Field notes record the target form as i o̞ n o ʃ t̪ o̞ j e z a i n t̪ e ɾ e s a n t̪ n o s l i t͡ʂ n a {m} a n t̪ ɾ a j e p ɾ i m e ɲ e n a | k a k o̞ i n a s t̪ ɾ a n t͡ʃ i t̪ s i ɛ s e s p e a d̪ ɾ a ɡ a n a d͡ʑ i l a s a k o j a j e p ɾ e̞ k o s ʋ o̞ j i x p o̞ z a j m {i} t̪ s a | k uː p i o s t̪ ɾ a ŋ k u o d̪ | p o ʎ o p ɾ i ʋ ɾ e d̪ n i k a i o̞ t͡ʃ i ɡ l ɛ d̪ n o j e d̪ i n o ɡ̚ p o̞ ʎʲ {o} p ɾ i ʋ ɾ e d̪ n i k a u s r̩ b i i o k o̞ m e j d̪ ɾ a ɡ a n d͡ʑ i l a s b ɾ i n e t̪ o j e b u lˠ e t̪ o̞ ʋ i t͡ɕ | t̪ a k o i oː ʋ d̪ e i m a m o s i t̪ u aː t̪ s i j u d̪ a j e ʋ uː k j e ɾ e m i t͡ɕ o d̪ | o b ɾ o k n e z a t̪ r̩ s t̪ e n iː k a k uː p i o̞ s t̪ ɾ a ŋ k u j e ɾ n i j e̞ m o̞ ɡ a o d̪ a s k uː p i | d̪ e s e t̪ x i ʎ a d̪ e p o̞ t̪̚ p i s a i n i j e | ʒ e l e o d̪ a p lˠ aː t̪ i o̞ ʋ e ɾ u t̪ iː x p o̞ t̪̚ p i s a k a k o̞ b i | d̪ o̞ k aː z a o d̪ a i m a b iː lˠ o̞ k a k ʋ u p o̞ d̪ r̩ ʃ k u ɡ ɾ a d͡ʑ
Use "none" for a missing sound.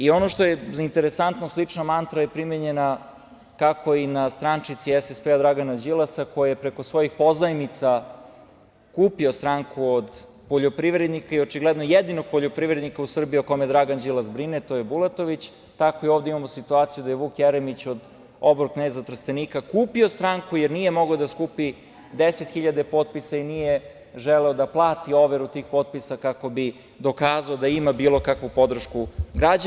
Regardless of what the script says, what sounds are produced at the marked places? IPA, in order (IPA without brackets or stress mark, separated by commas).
m, i, o